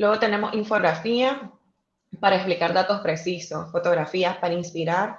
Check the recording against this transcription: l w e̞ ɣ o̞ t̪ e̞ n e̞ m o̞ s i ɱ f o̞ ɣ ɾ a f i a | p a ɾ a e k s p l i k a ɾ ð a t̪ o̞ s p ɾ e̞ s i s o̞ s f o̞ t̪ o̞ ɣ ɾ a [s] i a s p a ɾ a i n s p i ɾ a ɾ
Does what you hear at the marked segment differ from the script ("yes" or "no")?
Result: yes